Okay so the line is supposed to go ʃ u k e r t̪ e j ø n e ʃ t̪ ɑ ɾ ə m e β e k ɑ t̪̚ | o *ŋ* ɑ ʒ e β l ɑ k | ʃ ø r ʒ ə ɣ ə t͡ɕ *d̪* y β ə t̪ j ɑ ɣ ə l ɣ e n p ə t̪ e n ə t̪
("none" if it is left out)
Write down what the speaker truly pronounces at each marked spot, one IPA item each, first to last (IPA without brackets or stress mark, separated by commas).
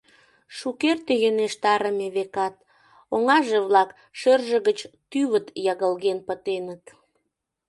ŋ, t̪